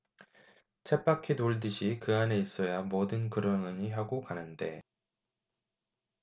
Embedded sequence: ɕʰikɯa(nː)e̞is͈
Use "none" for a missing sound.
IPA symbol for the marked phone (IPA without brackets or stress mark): n